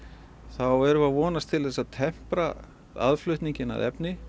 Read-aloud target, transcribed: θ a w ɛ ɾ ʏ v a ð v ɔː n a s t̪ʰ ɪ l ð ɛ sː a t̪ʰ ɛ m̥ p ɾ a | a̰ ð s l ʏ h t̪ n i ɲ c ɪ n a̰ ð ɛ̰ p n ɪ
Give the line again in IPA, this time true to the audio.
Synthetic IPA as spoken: θ a w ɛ ɾ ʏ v a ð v ɔː n a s t̪ʰ ɪ l θ ɛ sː a t̪ʰ ɛ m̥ p ɾ a | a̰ ð f l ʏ h t̪ n i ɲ c ɪ n a̰ ð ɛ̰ p n ɪ